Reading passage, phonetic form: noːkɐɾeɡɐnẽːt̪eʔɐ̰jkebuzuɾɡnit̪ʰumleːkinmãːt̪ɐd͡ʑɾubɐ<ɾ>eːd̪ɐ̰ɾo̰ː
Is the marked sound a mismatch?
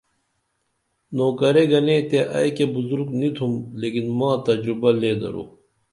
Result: yes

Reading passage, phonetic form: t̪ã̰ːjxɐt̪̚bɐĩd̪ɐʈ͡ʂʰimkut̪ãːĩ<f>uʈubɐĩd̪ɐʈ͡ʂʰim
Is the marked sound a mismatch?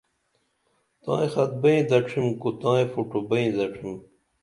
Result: no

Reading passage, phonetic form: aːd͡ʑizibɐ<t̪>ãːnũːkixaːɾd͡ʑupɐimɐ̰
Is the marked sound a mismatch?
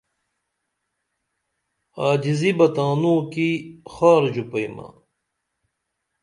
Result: no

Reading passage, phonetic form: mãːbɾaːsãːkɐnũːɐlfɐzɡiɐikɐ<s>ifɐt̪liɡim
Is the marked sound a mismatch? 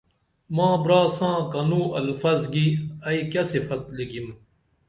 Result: no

